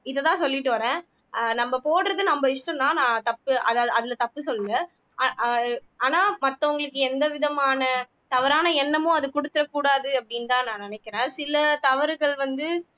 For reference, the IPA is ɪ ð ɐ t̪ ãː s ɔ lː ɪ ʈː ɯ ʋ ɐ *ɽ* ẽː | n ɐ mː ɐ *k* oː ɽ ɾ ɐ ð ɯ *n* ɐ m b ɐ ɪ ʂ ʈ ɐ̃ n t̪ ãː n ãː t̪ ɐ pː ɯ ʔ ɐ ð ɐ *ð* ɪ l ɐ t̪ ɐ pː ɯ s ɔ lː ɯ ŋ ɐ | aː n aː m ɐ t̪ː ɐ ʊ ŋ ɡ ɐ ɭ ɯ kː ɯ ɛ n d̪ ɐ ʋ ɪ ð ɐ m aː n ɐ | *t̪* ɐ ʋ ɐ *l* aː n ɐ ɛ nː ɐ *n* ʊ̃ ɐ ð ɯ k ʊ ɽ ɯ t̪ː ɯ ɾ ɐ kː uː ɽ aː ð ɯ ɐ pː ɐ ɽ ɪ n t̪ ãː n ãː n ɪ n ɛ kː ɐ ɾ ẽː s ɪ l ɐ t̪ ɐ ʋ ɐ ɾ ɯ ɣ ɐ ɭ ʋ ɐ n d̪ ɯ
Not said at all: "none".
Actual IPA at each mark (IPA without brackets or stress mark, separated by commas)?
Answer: ɾ, p, n, ð, t̪, ɾ, m